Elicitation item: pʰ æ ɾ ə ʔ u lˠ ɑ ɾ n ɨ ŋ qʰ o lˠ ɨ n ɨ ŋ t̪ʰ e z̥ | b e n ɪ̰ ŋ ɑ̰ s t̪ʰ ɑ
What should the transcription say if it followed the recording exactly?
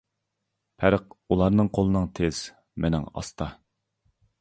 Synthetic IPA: pʰ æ ɾ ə q u lˠ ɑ ɾ n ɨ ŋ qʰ o lˠ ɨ n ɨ ŋ t̪ʰ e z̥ | m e n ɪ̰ ŋ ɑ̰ s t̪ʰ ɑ